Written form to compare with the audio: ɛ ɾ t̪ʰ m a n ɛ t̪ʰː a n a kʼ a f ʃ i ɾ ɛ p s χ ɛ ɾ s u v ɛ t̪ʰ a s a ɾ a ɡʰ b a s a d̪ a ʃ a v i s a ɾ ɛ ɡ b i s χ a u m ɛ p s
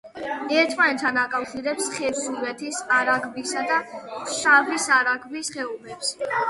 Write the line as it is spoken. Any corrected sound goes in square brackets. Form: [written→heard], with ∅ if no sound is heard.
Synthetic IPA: ɛ ɾ t̪ʰ m a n ɛ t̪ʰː a n a kʼ a f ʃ i ɾ ɛ p s χ ɛ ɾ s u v ɛ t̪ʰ [a→i] s a ɾ a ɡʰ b [a→i] s a d̪ a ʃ a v i s a ɾ [ɛ→a] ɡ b i s χ [a→ɛ] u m ɛ p s

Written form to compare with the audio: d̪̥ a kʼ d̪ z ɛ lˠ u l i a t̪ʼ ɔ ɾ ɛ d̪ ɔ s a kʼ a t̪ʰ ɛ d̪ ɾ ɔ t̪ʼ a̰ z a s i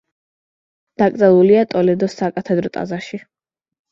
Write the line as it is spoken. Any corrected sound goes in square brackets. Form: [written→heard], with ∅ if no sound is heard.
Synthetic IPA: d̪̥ a kʼ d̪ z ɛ lˠ u l i a t̪ʼ ɔ [ɾ→l] ɛ d̪ ɔ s a kʼ a t̪ʰ ɛ d̪ ɾ ɔ t̪ʼ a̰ z a [s→ʃ] i

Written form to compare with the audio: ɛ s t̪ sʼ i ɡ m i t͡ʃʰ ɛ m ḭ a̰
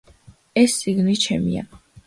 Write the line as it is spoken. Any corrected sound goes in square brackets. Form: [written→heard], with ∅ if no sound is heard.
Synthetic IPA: ɛ s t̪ sʼ i ɡ [m→n] i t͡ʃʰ ɛ m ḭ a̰

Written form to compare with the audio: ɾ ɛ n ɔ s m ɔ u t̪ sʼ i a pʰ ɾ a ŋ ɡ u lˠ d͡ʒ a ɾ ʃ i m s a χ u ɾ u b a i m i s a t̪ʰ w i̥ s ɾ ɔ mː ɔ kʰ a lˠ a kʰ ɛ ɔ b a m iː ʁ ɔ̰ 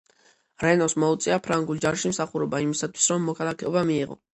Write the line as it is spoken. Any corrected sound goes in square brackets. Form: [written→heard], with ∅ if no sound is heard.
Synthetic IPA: ɾ ɛ n ɔ s m ɔ u t̪ sʼ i a pʰ ɾ a ŋ ɡ u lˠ d͡ʒ a ɾ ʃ i m s a χ u ɾ [u→ɔ] b a i m i s a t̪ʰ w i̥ s ɾ ɔ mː ɔ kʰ a lˠ a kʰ ɛ ɔ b a m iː ʁ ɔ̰

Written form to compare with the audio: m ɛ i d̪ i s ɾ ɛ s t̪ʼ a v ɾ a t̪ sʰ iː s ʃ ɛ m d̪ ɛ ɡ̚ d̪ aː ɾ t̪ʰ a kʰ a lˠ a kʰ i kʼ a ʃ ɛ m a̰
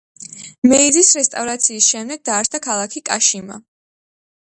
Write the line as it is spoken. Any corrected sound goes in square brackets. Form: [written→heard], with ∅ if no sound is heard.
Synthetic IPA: m ɛ i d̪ i s ɾ ɛ s t̪ʼ a v ɾ a t̪ sʰ iː s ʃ ɛ m d̪ ɛ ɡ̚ d̪ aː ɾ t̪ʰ a kʰ a lˠ a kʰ i kʼ a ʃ [ɛ→i] m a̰

